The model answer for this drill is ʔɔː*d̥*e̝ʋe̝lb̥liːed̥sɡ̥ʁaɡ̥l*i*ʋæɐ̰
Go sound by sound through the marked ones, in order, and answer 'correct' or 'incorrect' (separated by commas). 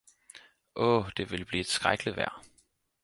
correct, correct